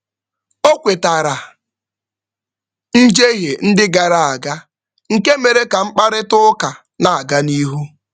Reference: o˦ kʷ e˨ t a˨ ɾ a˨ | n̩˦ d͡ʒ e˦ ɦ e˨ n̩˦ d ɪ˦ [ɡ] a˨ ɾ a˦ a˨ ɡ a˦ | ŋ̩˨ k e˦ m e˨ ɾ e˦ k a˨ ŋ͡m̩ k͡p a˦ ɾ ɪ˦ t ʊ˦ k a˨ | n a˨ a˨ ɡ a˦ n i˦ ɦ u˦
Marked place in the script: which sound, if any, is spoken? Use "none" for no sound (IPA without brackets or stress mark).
ɡ